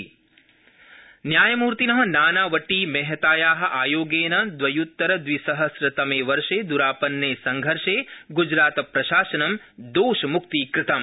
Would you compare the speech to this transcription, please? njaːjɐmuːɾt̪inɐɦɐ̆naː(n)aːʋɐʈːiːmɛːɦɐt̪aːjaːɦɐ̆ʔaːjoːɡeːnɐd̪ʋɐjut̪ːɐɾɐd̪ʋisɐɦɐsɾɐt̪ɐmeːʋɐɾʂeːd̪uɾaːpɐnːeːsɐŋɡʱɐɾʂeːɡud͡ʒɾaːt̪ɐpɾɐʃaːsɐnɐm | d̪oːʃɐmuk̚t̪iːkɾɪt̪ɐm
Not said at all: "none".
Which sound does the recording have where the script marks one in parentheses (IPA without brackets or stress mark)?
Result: n